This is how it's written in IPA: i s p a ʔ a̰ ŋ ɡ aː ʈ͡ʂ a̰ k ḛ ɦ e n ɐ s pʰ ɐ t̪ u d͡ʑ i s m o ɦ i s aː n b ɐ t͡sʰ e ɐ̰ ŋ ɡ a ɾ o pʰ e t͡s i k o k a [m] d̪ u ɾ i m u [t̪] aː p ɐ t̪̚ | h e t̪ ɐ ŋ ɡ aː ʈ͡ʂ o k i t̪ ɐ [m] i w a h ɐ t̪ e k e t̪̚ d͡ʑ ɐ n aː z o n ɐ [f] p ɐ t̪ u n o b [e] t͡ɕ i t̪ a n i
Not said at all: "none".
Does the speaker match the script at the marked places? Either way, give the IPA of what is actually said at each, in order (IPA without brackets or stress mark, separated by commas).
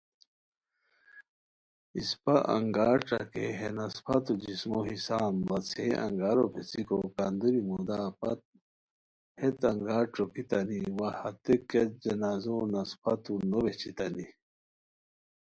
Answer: n, d̪, n, s, e